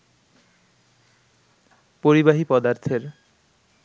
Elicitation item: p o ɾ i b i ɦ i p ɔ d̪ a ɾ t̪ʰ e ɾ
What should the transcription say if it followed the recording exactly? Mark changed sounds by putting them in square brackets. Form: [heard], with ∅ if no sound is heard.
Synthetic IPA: p o ɾ i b [a] ɦ i p ɔ d̪ a ɾ t̪ʰ e ɾ

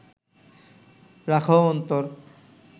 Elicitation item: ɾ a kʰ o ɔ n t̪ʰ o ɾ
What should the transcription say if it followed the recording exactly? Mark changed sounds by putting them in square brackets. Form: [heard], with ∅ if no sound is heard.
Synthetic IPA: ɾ a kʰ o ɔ n [t̪] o ɾ

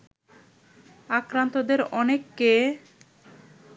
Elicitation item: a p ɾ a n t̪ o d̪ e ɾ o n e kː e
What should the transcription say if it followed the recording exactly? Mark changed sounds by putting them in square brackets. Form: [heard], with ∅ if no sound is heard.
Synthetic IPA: a [k] ɾ a n t̪ o d̪ e ɾ [ɔ] n e kː e

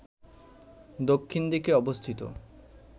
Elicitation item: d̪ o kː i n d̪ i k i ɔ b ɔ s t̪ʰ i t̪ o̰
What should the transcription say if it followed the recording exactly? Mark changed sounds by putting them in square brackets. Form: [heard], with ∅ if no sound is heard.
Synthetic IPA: d̪ o [kʰː] i n d̪ i k [e] ɔ b [o] s t̪ʰ i t̪ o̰

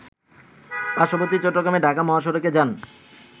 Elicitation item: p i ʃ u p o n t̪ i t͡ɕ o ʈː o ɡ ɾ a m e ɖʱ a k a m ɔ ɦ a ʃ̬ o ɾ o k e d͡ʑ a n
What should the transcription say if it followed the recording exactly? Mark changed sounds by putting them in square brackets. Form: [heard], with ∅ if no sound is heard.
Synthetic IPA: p [a] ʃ [o] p o [∅] t̪ i t͡ɕ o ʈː o ɡ ɾ a m e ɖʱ a k a m ɔ ɦ a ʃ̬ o ɾ o k e d͡ʑ a n

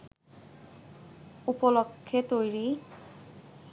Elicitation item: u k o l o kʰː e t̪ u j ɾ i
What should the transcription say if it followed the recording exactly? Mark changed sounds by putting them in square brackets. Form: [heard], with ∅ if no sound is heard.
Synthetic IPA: u [p] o l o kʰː e t̪ [o] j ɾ i

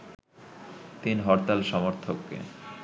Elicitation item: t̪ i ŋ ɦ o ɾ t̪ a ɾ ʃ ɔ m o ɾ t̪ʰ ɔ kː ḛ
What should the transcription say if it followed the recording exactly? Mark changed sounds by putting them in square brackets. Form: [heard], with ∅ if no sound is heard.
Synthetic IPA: t̪ i [n] ɦ [ɔ] ɾ t̪ a [l] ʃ ɔ m o ɾ t̪ʰ [o] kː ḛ

